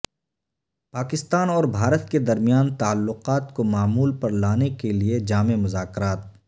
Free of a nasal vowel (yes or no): yes